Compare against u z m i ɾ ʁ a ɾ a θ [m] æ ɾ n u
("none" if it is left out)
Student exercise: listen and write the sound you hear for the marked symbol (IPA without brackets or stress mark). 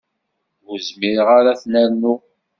n